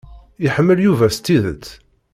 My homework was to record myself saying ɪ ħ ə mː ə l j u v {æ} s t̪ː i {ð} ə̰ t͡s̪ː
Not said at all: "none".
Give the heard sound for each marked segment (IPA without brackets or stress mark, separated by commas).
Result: æ, ð